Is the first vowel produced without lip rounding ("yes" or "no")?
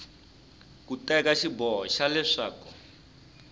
no